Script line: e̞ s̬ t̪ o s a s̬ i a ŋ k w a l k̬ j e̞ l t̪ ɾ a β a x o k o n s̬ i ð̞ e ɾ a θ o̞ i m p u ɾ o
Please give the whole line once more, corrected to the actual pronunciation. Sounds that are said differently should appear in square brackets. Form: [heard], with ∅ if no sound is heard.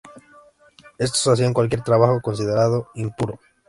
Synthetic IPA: e̞ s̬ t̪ o s a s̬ i a ŋ k w a l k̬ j e̞ [ɾ] t̪ ɾ a β a x o k o n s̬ i ð̞ e ɾ a [ð] o̞ i m p u ɾ o